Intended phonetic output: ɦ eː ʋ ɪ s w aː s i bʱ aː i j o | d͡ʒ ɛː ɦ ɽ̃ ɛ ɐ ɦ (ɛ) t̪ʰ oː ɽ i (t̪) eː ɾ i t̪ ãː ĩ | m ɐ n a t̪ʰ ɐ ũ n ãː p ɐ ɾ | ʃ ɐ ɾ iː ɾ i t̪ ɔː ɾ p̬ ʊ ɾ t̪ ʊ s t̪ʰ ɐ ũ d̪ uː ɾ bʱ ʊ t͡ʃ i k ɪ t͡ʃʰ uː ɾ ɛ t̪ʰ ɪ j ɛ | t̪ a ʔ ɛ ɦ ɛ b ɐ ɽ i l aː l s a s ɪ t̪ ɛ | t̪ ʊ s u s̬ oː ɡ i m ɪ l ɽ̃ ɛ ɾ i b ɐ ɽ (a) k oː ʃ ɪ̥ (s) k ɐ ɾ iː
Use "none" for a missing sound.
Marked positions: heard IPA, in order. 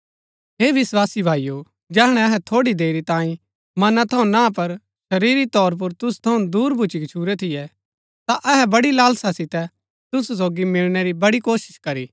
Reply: ɛ, d̪, i, ʃ

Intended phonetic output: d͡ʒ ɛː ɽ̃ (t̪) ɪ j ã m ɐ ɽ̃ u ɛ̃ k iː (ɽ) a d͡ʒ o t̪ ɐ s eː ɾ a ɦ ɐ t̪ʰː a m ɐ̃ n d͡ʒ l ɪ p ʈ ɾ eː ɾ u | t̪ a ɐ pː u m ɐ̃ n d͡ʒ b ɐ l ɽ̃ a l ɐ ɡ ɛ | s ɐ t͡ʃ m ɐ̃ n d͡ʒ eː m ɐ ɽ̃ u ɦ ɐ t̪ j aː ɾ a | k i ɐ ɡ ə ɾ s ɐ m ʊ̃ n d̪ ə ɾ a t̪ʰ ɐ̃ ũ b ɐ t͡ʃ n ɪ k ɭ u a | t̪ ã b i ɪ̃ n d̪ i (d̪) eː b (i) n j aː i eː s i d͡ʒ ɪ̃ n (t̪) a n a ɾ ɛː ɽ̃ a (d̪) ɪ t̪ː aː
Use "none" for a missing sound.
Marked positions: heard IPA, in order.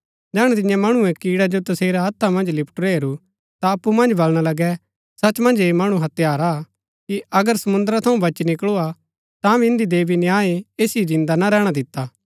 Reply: t̪, ɽ, d̪, i, d̪, d̪

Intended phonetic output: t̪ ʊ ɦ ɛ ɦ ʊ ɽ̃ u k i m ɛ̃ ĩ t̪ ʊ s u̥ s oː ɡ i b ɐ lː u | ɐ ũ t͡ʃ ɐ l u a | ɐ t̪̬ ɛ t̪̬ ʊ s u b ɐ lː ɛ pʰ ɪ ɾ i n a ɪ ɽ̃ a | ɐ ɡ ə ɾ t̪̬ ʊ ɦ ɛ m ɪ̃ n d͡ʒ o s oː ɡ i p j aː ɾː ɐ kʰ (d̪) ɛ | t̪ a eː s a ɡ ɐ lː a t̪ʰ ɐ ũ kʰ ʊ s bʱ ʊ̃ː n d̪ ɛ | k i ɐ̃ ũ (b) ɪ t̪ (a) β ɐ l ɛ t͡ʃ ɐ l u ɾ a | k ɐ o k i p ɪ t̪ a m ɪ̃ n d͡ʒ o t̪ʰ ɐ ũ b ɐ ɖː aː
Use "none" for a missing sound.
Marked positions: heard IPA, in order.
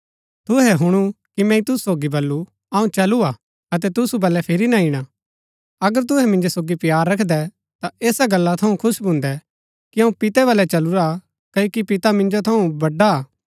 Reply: d̪, p, ɛ

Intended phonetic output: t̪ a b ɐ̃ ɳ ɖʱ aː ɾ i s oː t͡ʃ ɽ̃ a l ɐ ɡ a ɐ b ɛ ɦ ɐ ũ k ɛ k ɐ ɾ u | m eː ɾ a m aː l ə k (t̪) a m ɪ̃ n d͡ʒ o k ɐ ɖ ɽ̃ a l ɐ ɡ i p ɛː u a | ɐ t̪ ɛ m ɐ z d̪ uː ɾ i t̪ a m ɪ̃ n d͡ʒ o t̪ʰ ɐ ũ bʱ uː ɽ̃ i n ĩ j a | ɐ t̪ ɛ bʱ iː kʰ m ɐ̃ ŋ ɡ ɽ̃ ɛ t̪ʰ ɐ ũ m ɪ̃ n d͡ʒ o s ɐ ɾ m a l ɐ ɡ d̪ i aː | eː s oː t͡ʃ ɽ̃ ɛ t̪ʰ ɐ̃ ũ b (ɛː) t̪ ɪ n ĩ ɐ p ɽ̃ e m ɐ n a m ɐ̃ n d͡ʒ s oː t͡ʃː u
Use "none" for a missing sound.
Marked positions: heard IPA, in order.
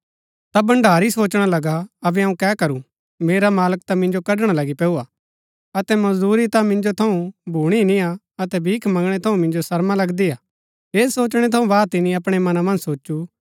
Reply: t̪, aː

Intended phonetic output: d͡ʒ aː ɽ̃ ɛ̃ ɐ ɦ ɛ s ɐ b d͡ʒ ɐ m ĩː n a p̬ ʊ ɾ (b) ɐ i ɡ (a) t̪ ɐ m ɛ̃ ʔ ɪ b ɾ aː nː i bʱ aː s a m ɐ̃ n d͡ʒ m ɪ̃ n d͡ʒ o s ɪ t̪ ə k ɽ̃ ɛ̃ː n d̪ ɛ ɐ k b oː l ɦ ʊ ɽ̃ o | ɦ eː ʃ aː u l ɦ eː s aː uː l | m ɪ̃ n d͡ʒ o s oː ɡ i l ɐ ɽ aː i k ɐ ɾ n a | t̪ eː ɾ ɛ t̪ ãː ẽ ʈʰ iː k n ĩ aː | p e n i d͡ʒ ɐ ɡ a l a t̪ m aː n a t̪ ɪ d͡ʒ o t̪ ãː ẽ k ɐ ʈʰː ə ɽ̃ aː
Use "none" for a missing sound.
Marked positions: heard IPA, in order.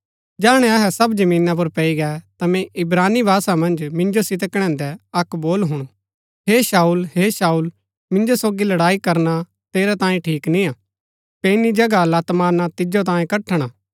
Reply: p, ɛ

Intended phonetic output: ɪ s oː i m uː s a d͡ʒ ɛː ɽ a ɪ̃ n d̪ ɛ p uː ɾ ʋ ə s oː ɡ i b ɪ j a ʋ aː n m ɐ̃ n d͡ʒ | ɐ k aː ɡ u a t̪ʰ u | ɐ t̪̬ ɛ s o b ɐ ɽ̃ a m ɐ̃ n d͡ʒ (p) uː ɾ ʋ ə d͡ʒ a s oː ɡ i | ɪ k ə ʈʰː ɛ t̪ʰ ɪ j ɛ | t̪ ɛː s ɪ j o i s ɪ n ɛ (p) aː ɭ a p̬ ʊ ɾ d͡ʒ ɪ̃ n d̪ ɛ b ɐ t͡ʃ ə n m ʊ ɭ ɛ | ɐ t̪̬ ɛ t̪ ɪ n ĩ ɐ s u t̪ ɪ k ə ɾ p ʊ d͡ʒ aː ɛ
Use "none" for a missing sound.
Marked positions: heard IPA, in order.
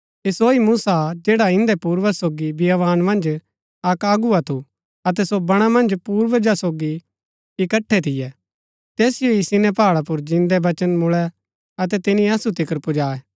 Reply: p, p

